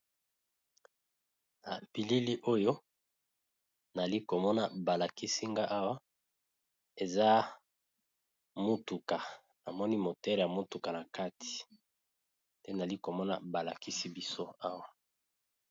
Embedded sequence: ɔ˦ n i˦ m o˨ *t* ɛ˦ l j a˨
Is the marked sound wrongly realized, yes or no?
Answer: no